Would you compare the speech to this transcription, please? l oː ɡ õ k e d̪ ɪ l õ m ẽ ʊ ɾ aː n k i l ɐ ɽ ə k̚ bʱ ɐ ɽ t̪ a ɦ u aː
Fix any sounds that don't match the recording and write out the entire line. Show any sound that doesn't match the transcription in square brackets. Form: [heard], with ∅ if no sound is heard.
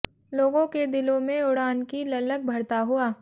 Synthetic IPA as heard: l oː ɡ õ k e d̪ ɪ l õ m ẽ ʊ [ɽ] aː n k i l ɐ [l] ə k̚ bʱ ɐ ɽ t̪ a ɦ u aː